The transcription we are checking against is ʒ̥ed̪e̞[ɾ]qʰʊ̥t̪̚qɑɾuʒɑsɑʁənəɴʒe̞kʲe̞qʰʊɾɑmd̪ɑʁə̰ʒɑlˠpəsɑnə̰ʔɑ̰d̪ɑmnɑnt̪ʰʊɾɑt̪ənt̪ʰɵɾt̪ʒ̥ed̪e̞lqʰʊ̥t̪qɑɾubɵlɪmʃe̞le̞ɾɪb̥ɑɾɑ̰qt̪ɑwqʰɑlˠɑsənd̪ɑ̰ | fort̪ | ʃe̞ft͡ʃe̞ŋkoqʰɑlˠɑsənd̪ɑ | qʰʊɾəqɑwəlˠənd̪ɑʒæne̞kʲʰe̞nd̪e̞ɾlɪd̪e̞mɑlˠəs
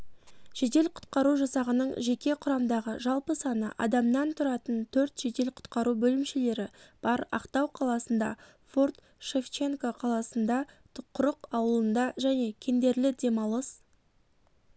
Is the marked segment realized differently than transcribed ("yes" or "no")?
yes